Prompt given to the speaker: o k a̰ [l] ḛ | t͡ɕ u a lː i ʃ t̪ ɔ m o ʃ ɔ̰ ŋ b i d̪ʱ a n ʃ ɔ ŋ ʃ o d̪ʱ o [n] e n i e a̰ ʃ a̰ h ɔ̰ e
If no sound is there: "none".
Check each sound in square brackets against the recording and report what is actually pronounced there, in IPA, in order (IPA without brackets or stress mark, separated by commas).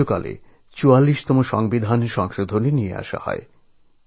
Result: l, n